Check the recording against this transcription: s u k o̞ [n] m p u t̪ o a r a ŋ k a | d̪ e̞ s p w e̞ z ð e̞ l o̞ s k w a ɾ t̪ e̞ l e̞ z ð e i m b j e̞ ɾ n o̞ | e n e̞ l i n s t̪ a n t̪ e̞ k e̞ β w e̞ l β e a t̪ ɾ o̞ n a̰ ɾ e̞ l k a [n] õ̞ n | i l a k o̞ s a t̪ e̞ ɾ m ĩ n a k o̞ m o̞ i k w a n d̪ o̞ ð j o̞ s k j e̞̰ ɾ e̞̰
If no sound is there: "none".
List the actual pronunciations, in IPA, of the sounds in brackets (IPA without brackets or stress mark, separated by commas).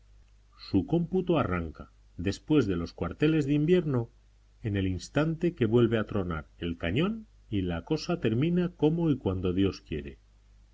none, ɲ